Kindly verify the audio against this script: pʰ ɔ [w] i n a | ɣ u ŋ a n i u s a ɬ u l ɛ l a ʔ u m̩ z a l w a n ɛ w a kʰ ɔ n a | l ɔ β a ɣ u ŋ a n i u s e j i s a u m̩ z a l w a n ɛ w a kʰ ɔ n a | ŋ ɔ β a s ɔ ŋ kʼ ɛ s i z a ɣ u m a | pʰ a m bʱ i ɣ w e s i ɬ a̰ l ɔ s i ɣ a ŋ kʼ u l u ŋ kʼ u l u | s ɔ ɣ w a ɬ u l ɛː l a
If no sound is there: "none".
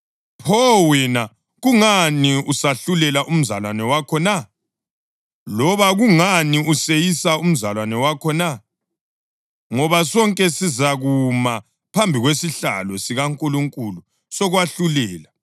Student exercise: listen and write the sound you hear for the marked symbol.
w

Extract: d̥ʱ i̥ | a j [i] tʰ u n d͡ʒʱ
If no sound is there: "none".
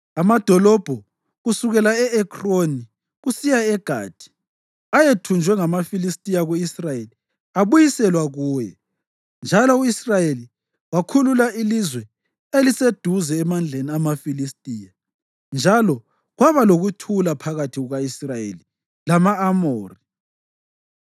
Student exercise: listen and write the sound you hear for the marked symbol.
e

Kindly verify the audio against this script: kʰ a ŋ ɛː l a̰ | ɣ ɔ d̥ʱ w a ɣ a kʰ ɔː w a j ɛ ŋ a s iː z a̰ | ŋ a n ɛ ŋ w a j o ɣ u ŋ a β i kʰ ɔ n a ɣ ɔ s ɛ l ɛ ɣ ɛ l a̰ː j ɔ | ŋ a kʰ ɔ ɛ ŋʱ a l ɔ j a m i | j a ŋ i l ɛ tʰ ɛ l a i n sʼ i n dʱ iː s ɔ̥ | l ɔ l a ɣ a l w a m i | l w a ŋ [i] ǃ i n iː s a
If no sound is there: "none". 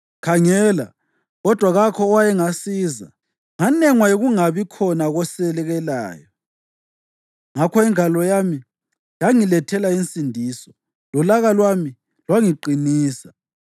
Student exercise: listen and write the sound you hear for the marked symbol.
i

